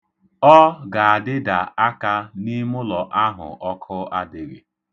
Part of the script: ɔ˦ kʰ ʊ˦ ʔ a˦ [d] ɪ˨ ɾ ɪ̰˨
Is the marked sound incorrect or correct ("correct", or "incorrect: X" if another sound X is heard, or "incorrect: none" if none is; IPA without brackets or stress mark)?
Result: correct